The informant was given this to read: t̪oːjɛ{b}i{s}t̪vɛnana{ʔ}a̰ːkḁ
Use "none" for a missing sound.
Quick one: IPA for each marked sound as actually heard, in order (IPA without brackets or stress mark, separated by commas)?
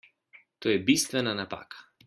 b, s, p